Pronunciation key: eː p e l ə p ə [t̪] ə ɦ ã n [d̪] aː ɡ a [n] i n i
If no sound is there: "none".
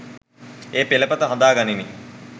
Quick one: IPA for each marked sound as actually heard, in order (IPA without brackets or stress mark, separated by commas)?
t̪, d̪, n